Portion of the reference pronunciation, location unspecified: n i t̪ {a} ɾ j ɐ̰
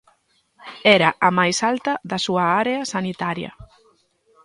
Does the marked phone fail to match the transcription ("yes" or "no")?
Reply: no